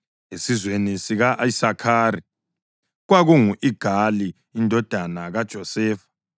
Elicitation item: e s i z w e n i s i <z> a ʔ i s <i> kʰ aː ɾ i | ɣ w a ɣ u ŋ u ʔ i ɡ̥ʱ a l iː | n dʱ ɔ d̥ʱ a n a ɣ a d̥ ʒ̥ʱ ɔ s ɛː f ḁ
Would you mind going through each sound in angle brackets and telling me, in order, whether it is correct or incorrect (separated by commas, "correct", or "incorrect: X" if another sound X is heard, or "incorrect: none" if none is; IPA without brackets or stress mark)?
incorrect: ɣ, incorrect: a